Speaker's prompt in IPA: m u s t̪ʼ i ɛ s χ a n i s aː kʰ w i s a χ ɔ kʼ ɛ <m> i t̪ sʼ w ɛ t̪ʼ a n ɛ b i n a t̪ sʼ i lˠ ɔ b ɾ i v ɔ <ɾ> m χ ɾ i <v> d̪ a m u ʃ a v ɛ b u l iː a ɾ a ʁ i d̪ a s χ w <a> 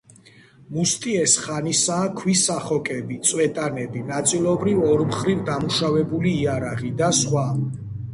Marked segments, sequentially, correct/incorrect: incorrect: b, correct, correct, correct

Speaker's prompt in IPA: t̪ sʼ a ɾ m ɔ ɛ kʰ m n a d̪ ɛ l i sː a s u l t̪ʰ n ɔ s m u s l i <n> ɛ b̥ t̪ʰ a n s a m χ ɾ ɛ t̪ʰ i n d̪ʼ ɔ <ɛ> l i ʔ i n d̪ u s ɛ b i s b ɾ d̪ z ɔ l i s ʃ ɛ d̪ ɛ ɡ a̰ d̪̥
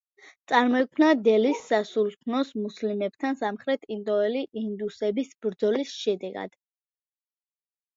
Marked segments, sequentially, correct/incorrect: incorrect: m, correct

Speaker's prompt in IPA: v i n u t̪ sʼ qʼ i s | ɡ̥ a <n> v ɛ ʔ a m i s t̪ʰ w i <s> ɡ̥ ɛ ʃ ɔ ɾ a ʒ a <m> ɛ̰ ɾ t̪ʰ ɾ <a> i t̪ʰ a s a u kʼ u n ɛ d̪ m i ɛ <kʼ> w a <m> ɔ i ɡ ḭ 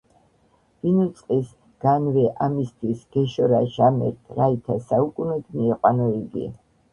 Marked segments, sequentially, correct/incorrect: correct, correct, correct, correct, incorrect: qʼ, incorrect: n

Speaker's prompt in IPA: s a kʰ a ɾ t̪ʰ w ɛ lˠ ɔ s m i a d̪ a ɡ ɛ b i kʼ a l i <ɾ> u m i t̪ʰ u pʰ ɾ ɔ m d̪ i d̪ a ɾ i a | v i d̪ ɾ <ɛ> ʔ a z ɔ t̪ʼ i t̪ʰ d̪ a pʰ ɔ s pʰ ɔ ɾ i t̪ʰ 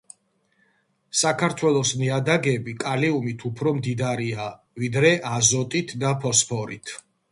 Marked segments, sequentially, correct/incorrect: incorrect: none, correct

